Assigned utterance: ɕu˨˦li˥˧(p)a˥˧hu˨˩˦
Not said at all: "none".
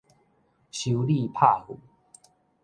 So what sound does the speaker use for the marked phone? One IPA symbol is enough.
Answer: pʰ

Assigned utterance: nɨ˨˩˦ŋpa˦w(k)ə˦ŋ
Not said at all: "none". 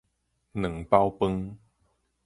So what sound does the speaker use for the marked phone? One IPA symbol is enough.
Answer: p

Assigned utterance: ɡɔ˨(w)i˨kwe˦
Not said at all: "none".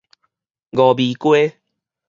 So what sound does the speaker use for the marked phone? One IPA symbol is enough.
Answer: b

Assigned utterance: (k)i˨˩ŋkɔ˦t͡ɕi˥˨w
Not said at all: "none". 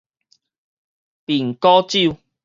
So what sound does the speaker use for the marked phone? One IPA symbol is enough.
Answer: p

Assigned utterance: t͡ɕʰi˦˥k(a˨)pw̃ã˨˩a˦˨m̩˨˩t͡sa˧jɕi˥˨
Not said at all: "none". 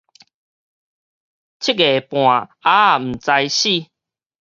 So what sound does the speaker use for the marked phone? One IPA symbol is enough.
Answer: e˨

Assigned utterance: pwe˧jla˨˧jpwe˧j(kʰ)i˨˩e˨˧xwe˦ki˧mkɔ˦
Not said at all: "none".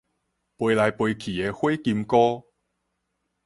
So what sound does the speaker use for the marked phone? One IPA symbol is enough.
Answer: kʰ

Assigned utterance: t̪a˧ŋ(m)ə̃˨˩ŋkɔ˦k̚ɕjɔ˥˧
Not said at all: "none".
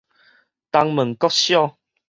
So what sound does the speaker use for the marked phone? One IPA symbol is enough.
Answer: m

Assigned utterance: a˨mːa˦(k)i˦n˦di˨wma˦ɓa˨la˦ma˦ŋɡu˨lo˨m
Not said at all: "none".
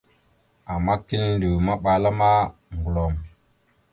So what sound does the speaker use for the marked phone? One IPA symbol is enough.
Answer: k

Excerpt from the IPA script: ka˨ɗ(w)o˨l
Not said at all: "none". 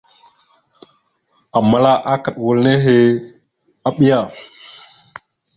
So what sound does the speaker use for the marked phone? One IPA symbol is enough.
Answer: w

